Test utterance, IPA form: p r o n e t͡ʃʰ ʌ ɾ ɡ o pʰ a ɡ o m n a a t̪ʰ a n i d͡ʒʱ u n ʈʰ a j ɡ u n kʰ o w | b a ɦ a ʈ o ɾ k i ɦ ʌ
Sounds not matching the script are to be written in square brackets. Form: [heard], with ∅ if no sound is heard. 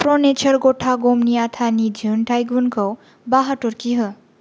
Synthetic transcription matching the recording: p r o n e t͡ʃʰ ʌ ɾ ɡ o [ʈʰ] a ɡ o m n [i] a t̪ʰ a n i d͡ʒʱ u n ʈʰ a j ɡ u n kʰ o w | b a ɦ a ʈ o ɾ k i ɦ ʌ